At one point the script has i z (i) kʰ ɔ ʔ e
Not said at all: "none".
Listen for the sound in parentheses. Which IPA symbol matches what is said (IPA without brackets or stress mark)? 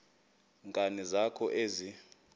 a